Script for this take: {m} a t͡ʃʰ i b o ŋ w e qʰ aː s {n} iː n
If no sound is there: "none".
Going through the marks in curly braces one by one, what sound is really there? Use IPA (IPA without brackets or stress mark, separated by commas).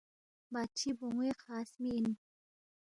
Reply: b, m